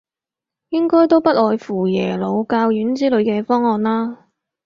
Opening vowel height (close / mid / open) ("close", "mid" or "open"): close